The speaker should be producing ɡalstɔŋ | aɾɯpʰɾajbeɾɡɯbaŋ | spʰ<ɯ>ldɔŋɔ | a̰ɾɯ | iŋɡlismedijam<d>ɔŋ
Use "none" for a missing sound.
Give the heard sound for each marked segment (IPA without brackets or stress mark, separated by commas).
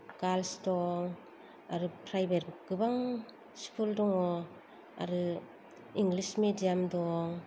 u, d